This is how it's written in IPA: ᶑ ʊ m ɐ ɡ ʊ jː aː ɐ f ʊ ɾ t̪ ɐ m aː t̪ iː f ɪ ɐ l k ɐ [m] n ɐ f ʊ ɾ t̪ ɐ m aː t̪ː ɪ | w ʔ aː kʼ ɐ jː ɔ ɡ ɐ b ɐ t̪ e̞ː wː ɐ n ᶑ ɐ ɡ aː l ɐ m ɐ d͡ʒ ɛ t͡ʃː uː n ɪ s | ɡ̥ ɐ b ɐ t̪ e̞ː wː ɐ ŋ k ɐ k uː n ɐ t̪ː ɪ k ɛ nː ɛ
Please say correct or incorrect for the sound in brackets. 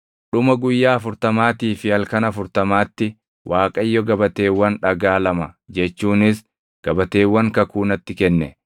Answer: incorrect: none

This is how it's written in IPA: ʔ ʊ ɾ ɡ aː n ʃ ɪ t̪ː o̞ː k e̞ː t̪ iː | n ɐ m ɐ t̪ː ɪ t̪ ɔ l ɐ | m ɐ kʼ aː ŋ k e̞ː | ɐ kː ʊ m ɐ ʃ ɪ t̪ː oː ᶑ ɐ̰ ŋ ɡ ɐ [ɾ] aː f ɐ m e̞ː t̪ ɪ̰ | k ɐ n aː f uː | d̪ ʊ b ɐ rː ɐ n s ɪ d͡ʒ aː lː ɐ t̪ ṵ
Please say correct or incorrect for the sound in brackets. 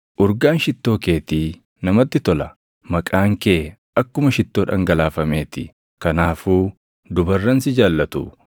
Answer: incorrect: l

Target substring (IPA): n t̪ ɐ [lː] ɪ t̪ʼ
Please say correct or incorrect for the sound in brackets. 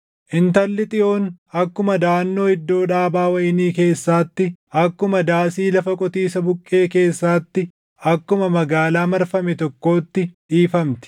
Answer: correct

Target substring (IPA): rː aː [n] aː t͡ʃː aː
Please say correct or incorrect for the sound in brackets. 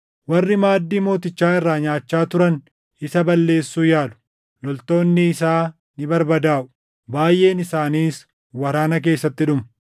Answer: incorrect: ɲ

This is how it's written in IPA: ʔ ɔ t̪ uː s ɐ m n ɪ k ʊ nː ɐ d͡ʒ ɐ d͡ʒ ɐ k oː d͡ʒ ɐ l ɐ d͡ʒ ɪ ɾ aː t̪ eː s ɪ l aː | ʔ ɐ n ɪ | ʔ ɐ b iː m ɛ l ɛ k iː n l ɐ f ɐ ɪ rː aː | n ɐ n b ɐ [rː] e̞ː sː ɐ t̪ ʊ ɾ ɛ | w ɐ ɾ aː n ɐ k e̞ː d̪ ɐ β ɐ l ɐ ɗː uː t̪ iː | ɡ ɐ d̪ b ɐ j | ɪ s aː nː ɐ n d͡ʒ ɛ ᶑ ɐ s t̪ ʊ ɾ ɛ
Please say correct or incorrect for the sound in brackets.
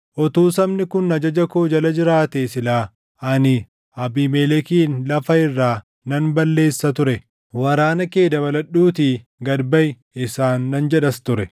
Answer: incorrect: lː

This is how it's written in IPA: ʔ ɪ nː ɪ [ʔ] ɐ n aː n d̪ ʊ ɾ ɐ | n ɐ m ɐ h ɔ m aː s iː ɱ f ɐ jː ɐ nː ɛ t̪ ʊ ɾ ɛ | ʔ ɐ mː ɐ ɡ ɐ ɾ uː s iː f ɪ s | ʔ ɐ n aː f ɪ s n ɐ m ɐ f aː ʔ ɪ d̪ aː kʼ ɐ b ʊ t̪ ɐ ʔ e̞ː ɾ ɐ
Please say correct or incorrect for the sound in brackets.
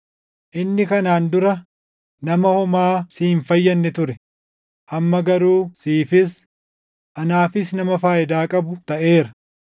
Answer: incorrect: k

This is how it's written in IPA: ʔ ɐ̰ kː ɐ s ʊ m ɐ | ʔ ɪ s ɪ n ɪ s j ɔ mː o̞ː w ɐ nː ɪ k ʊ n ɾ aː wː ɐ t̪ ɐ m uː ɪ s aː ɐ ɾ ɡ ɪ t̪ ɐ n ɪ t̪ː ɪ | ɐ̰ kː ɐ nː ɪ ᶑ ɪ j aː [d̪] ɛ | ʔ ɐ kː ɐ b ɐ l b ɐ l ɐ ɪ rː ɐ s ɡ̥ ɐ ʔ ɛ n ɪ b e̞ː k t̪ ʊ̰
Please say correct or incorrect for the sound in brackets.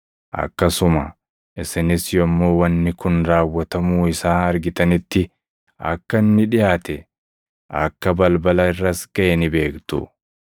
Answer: incorrect: t̪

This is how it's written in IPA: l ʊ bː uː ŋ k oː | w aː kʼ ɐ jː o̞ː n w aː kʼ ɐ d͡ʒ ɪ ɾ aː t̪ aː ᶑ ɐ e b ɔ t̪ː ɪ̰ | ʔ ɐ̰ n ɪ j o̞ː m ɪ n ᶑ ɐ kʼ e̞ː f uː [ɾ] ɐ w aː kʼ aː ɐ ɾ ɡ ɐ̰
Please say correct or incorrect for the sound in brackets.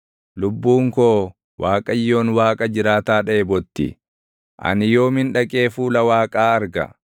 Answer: incorrect: l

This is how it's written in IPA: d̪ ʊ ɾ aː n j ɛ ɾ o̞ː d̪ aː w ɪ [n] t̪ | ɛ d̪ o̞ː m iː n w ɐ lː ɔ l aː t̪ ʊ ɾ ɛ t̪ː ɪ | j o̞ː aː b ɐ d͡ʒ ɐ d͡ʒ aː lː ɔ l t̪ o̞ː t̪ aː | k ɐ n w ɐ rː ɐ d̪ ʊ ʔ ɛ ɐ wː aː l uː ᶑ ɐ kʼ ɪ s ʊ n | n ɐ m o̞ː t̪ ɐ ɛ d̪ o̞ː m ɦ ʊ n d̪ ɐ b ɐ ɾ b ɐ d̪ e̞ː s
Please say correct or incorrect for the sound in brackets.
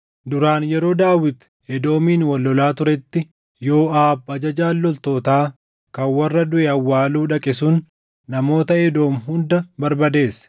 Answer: incorrect: none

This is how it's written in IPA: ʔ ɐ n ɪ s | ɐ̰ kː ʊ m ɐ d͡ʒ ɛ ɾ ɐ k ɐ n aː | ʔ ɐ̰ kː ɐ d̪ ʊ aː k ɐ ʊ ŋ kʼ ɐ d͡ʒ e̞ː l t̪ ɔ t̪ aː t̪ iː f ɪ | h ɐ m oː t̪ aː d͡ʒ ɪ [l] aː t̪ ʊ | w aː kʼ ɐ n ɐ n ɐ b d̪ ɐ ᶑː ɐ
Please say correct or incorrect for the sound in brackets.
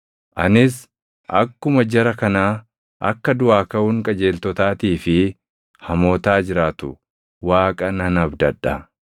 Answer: incorrect: ɾ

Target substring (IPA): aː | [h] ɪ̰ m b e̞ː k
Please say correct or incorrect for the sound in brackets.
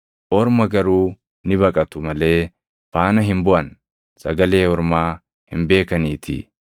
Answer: correct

